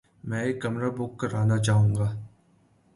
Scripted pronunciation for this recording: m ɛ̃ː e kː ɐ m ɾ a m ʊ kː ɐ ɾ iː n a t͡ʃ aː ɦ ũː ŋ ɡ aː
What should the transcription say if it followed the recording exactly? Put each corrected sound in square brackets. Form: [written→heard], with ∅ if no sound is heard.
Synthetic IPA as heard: m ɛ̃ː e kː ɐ m ɾ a [m→b] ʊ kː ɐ ɾ [iː→aː] n a t͡ʃ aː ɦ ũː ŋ ɡ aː